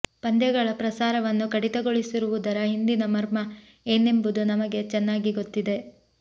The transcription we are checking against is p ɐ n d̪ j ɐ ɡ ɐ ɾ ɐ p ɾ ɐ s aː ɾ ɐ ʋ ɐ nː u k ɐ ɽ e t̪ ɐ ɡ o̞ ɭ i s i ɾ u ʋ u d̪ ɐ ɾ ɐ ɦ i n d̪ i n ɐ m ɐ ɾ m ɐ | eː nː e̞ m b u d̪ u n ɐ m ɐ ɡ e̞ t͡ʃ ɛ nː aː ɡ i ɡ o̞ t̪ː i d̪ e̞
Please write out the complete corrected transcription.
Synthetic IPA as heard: p ɐ n d̪ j ɐ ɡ ɐ ɭ ɐ p ɾ ɐ s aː ɾ ɐ ʋ ɐ nː u k ɐ ɽ i t̪ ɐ ɡ o̞ ɭ i s i ɾ u ʋ u d̪ ɐ ɾ ɐ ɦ i n d̪ i n ɐ m ɐ ɾ m ɐ | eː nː e̞ m b u d̪ u n ɐ m ɐ ɡ e̞ t͡ʃ ɛ nː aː ɡ i ɡ o̞ t̪ː i d̪ e̞